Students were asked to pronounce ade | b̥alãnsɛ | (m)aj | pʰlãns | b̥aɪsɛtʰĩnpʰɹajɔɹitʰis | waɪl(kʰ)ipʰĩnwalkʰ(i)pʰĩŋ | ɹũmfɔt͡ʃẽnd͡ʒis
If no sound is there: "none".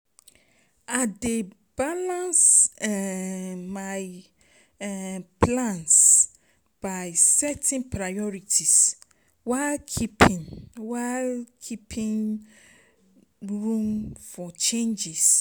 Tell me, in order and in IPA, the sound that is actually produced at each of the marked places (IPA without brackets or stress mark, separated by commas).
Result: m, kʰ, i